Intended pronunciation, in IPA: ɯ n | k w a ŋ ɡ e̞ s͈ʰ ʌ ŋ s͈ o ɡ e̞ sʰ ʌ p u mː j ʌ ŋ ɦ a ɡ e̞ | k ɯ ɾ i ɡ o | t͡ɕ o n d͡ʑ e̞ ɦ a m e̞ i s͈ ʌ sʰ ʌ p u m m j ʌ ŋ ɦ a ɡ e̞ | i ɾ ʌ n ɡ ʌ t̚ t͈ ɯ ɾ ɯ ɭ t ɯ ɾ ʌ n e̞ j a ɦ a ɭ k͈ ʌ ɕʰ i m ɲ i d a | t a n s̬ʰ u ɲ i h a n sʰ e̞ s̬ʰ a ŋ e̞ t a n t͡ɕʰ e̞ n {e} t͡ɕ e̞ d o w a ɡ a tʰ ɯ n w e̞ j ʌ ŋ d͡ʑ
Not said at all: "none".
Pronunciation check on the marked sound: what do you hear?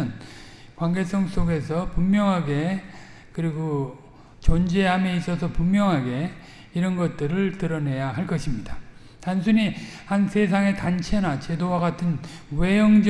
a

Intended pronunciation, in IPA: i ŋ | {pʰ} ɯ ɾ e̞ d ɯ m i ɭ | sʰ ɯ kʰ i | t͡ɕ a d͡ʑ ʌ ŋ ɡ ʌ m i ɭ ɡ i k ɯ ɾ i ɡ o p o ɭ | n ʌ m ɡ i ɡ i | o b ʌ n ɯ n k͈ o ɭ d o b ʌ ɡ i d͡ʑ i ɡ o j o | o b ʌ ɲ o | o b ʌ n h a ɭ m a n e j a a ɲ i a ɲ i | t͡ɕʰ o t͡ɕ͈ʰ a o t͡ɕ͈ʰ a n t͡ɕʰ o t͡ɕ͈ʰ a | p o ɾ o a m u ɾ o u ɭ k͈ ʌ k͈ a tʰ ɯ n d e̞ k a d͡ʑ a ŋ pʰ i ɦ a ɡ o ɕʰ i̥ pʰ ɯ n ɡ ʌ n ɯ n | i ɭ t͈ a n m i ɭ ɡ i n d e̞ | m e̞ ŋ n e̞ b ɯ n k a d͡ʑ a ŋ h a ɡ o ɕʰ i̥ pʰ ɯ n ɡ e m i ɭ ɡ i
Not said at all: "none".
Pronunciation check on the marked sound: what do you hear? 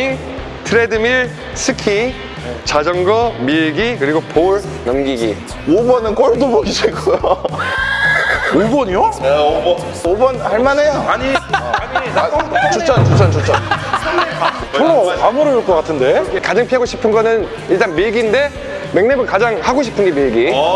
tʰ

